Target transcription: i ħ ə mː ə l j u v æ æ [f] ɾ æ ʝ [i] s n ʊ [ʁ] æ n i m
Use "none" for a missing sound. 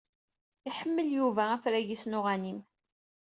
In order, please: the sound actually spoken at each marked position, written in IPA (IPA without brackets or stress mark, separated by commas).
f, i, ʁ